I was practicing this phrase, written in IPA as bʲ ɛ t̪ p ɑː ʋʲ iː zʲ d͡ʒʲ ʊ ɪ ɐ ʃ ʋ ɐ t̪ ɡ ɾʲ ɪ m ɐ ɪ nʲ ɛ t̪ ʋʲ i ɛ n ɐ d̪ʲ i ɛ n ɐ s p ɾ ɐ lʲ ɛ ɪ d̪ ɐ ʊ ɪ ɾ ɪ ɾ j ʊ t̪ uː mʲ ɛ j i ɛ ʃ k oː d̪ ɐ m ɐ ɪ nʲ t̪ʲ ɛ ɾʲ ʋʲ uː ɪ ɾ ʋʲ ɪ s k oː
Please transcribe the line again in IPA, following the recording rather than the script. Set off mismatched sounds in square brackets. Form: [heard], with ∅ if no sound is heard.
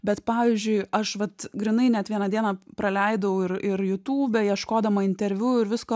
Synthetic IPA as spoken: bʲ ɛ t̪ p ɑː ʋʲ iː zʲ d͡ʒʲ ʊ ɪ ɐ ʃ ʋ ɐ t̪ ɡ ɾʲ ɪ [n] ɐ ɪ nʲ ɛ t̪ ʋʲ i ɛ n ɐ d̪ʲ i ɛ n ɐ [∅] p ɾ ɐ lʲ ɛ ɪ d̪ ɐ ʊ ɪ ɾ ɪ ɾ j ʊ t̪ uː [bʲ] ɛ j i ɛ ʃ k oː d̪ ɐ m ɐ ɪ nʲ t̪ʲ ɛ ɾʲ ʋʲ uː ɪ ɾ ʋʲ ɪ s k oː